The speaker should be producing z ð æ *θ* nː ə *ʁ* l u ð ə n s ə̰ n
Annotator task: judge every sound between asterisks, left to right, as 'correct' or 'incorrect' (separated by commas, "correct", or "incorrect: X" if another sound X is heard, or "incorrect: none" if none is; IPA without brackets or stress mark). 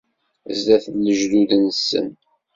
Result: correct, incorrect: ʒ